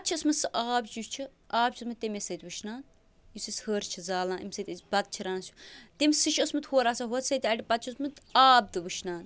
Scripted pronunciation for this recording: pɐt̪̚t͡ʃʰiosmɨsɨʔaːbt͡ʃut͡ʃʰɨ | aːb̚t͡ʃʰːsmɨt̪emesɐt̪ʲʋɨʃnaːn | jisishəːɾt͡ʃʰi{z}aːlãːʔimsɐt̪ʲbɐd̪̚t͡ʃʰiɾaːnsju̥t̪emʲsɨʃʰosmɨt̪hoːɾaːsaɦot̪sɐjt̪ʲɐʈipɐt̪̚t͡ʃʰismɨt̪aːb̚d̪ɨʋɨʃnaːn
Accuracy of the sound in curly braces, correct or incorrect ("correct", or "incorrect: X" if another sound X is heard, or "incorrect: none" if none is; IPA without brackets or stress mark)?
correct